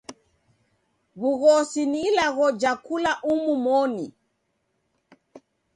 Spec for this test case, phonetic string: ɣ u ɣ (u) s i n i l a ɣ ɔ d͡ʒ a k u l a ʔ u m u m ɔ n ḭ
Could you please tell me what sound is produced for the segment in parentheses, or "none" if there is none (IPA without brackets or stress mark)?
ɔ